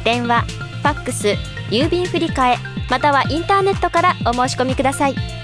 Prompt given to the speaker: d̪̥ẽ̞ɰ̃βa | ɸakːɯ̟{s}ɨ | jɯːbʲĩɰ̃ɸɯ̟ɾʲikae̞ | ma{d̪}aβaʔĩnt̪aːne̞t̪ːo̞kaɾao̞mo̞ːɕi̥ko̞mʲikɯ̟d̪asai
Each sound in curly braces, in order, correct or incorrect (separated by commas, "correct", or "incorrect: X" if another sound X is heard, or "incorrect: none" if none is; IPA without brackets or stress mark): correct, incorrect: t̪